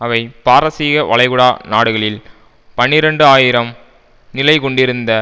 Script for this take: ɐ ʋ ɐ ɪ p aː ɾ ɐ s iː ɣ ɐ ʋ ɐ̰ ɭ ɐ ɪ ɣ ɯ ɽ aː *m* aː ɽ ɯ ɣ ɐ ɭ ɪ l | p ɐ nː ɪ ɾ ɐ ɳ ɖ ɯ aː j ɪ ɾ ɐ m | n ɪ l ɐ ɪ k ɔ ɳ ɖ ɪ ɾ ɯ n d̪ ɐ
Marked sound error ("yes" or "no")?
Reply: yes